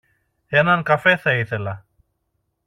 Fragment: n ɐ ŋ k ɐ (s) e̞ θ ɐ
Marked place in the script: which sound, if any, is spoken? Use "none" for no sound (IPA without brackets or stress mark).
f